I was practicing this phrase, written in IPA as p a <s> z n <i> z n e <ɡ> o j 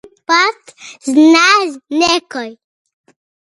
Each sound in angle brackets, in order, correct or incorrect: incorrect, incorrect, incorrect

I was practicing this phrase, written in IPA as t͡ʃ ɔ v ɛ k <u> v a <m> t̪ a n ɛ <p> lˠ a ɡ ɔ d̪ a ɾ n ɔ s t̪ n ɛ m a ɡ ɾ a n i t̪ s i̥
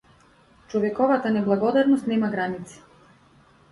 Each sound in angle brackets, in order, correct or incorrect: incorrect, incorrect, incorrect

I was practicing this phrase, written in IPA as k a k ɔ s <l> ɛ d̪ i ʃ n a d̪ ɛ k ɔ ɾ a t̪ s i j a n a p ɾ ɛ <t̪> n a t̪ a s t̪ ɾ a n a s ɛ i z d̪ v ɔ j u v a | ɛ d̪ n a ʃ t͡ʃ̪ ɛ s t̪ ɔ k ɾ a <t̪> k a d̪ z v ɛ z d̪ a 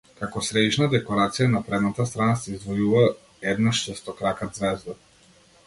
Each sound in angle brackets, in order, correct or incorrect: incorrect, incorrect, incorrect

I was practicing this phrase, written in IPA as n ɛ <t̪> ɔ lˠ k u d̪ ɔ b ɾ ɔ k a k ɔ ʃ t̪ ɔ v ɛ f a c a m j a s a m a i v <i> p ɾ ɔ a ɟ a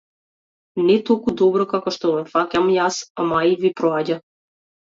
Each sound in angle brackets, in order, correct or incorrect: correct, correct

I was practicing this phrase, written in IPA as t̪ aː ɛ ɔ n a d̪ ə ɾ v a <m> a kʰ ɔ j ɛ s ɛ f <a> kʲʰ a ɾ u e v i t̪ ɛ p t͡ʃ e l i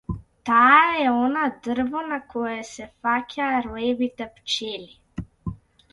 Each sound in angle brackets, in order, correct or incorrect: incorrect, correct

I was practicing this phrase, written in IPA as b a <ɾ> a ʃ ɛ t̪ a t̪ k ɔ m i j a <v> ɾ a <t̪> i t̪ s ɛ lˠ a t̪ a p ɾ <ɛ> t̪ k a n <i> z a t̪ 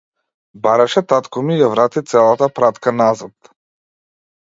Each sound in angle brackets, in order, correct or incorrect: correct, correct, correct, incorrect, incorrect

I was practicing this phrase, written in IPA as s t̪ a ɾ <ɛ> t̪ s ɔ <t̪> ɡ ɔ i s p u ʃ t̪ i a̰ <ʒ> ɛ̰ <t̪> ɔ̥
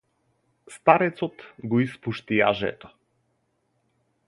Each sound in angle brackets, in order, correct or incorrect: correct, correct, correct, correct

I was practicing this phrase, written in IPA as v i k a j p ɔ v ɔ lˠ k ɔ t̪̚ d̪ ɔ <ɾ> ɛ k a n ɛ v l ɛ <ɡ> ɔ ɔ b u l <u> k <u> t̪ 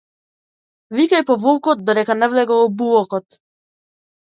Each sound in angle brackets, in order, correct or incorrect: correct, correct, incorrect, incorrect

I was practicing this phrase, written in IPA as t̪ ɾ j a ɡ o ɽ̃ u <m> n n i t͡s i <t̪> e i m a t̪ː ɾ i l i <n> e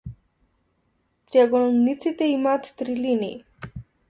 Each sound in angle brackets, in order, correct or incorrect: incorrect, correct, correct

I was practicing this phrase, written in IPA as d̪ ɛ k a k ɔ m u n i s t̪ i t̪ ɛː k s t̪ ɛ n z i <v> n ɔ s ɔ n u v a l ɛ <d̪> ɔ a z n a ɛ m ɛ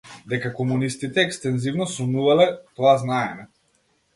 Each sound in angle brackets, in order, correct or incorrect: correct, incorrect

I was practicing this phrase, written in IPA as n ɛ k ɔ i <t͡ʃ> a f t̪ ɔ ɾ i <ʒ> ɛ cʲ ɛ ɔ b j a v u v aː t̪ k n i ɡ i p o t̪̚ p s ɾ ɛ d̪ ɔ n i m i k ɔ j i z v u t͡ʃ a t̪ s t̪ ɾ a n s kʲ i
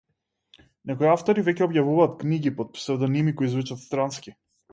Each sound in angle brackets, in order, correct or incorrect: incorrect, incorrect

